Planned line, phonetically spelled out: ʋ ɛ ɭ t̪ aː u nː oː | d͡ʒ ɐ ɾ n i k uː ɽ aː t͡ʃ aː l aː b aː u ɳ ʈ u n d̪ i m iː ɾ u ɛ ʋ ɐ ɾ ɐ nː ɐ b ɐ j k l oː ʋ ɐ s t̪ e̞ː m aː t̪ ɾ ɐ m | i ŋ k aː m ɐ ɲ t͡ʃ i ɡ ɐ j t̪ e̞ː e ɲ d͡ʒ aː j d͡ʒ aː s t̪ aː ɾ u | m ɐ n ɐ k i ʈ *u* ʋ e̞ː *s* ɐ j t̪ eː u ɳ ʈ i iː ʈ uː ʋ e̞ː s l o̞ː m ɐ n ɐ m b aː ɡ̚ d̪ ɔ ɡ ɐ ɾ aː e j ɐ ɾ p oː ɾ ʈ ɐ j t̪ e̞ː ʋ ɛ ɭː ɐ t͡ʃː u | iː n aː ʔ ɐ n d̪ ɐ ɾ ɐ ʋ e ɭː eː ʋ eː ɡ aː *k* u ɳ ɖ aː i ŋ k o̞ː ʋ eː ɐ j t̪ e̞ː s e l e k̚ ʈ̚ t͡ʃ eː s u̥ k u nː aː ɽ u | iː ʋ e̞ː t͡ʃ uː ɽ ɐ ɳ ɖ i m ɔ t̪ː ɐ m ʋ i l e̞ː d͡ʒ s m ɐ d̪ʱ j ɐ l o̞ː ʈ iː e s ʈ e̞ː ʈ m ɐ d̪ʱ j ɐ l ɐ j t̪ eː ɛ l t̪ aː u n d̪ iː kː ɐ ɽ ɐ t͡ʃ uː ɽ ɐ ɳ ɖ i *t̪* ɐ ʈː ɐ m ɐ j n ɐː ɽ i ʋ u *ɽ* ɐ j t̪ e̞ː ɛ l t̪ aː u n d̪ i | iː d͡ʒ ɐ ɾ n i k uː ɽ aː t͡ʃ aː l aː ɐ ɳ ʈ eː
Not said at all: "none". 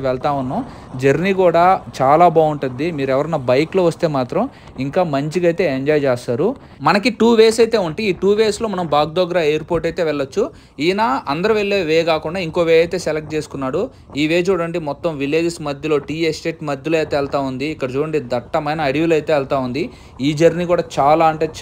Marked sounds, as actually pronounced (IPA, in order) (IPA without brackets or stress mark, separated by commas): uː, s, k, d̪, l